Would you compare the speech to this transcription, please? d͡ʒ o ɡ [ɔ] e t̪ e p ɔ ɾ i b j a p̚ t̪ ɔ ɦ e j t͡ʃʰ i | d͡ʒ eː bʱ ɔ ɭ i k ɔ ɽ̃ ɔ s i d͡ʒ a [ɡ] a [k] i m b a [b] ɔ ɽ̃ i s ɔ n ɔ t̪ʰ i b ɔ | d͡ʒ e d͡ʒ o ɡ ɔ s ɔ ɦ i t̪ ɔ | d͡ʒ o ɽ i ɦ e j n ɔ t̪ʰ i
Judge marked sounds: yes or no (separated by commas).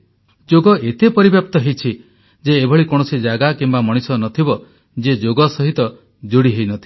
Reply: yes, yes, yes, no